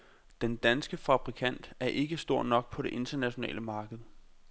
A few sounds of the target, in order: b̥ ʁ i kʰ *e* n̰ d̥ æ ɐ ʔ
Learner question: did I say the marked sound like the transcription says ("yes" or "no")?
no